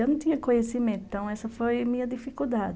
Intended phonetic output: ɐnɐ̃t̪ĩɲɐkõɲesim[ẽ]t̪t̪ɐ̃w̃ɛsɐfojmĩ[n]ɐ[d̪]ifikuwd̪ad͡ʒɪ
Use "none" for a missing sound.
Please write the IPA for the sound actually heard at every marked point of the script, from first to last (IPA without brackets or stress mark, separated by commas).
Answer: ẽ, ɲ, d̪